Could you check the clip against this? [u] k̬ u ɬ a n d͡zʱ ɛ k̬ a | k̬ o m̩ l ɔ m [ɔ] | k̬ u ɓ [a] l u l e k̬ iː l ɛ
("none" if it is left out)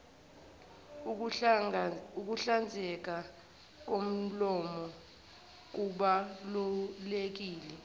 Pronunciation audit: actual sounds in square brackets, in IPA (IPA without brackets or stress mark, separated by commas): u, ɔ, a